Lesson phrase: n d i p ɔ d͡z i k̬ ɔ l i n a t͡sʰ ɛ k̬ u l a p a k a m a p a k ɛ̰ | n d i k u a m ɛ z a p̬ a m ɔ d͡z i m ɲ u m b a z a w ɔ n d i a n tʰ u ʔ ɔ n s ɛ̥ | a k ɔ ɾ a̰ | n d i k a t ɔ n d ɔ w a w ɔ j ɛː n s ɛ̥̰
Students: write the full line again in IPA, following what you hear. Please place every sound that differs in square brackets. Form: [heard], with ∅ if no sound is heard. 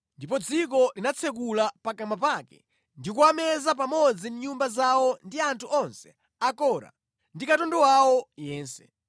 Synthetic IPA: n d i p ɔ d͡z i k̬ ɔ l i n a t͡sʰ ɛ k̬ u l a p a k a m a p a k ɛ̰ | n d i k u a m ɛ z a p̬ a m ɔ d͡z i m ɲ u m b a z a w ɔ n d i a n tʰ u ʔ ɔ n s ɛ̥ | a k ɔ ɾ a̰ | n d i k a t ɔ n d ɔ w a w ɔ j ɛː n s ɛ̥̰

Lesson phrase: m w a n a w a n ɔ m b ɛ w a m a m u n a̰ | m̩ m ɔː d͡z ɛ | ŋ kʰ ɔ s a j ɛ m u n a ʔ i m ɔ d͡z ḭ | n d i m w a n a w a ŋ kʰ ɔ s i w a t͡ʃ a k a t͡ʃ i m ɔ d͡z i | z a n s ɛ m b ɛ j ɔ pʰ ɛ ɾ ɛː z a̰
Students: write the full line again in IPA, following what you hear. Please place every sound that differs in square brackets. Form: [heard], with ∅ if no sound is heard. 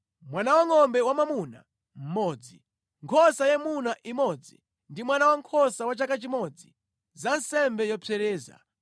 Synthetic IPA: m w a n a w a [ŋ] ɔ m b ɛ w a m a m u n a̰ | m̩ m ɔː d͡z [i] | ŋ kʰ ɔ s a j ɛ m u n a ʔ i m ɔ d͡z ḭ | n d i m w a n a w a ŋ kʰ ɔ s [a] w a t͡ʃ a k a t͡ʃ i m ɔ d͡z i | z a n s ɛ m b ɛ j ɔ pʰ ɛ ɾ ɛː z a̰

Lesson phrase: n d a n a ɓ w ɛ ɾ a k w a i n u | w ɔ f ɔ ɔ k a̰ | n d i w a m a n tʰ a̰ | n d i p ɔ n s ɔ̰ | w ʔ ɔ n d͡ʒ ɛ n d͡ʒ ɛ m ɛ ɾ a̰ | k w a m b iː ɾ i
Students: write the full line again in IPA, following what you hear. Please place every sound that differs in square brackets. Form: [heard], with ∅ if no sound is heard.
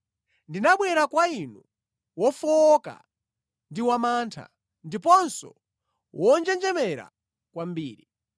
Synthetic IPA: n d [i] n a ɓ w ɛ ɾ a k w a i n u | w ɔ f ɔ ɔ k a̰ | n d i w a m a n tʰ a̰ | n d i p ɔ n s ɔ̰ | w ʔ ɔ n d͡ʒ ɛ n d͡ʒ ɛ m ɛ ɾ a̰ | k w a m b iː ɾ i

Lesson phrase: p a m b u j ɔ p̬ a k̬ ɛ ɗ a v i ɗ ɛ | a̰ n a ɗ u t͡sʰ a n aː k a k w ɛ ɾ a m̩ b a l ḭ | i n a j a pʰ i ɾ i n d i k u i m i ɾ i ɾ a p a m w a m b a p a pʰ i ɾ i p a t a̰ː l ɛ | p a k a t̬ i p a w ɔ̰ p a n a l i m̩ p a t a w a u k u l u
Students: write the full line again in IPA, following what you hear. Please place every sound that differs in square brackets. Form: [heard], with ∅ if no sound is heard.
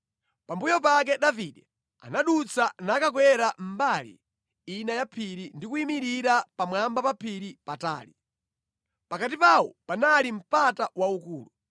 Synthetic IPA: p a m b u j ɔ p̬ a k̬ ɛ ɗ a v i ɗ ɛ | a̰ n a ɗ u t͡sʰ a n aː k a k w ɛ ɾ a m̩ b a l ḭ | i n a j a pʰ i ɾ i n d i k u i m i ɾ i ɾ a p a m w a m b a p a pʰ i ɾ i p a t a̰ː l [i] | p a k a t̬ i p a w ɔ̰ p a n a l i m̩ p a t a w a u k [uː] l u

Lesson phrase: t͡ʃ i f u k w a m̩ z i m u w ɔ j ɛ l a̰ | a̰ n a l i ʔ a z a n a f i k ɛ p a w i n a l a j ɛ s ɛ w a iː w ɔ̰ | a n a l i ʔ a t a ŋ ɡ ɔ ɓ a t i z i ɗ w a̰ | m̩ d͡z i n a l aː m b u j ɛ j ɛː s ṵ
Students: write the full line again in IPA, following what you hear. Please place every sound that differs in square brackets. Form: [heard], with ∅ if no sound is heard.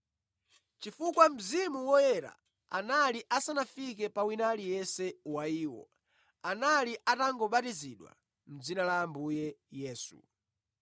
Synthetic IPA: t͡ʃ i f u k w a m̩ z i m u w ɔ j ɛ [ɾ] a̰ | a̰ n a l i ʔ a [s] a n a f i k ɛ p a w i n a l [i] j ɛ s ɛ w a iː w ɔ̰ | a n a l i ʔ a t a ŋ ɡ ɔ ɓ a t i z i ɗ w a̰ | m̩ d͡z i n a l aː m b u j ɛ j ɛː s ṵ

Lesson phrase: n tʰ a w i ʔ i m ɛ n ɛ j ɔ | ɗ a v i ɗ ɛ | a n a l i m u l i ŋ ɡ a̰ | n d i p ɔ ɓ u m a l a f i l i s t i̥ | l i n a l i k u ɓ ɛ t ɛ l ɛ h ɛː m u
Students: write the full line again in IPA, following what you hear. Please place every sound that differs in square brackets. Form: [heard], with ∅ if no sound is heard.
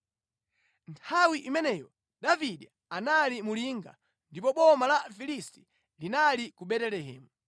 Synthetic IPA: n tʰ a w i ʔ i m ɛ n ɛ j ɔ | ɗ a v i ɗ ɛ | a n a l i m u l i ŋ ɡ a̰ | n d i p ɔ ɓ [ɔ] m a l a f i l i s t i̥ | l i n a l i k u ɓ ɛ t ɛ l ɛ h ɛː m u

